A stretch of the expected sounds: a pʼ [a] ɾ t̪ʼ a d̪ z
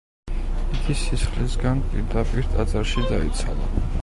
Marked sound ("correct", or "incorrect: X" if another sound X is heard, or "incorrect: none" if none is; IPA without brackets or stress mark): incorrect: i